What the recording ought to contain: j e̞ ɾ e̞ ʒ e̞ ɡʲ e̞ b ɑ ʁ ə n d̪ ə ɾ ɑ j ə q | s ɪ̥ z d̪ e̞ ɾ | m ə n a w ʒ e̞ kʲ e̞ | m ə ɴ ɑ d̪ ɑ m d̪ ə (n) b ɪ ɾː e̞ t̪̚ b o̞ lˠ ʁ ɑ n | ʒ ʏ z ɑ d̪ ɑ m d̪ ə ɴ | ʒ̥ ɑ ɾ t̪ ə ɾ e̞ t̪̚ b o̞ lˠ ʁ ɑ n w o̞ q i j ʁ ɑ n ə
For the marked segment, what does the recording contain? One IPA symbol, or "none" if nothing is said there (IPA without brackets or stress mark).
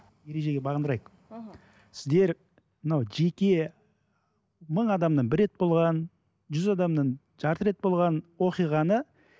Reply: ɴ